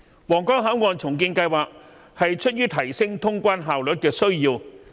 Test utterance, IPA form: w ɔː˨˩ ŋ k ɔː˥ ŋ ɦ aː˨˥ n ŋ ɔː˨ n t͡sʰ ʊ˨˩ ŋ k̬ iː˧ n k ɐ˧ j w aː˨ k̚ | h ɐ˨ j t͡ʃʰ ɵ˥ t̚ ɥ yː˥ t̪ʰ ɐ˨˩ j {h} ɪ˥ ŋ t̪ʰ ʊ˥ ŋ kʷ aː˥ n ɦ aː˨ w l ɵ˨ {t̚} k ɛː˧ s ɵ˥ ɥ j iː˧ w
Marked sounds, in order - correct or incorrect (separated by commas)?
incorrect, correct